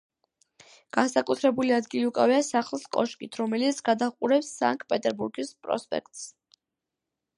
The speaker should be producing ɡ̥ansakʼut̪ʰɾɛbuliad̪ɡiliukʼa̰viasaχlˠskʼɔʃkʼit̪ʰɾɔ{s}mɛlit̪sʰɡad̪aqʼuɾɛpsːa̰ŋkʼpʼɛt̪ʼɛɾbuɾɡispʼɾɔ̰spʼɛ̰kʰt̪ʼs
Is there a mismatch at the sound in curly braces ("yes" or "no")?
yes